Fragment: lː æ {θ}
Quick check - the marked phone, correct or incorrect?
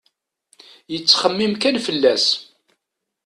incorrect